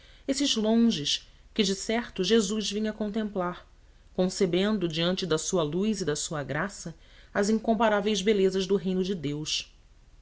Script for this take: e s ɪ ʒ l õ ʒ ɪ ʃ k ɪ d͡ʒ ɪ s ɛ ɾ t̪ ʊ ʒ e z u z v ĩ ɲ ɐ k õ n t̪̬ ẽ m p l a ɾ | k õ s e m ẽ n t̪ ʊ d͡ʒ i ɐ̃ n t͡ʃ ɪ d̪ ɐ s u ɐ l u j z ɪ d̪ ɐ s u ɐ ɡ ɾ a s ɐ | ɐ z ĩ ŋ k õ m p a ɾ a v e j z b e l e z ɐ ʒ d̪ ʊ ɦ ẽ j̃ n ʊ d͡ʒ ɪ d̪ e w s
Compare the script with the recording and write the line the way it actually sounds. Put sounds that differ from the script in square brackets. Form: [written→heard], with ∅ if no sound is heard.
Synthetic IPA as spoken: e s ɪ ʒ l õ ʒ ɪ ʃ k ɪ d͡ʒ ɪ s ɛ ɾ t̪ ʊ ʒ e z u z v ĩ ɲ ɐ k õ n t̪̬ ẽ m p l a ɾ | k õ s e [m→b] ẽ n [t̪→d̪] ʊ d͡ʒ i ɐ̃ n t͡ʃ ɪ d̪ ɐ s u ɐ l u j z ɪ d̪ ɐ s u ɐ ɡ ɾ a s ɐ | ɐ z ĩ ŋ k õ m p a ɾ a v e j z b e l e z ɐ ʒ d̪ ʊ ɦ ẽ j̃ n ʊ d͡ʒ ɪ d̪ e w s